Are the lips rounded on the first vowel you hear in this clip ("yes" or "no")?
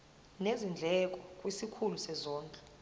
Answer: no